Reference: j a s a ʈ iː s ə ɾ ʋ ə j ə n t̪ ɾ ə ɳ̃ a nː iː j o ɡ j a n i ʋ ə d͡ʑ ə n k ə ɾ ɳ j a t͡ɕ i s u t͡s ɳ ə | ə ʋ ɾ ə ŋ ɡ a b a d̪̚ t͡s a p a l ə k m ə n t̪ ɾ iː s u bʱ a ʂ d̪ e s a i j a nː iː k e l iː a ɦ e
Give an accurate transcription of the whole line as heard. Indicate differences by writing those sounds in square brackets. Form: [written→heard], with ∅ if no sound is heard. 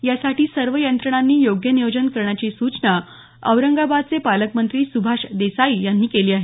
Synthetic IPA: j a s a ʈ iː s ə ɾ ʋ ə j ə n t̪ ɾ ə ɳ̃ a nː iː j o ɡ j [a→ə] n i ʋ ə d͡ʑ ə n k ə ɾ ɳ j a t͡ɕ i s u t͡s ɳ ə | ə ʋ ɾ ə ŋ ɡ a b a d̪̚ t͡s [a→e] p a l ə k m ə n t̪ ɾ iː s u bʱ a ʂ d̪ e s a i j a nː iː k e l iː a ɦ e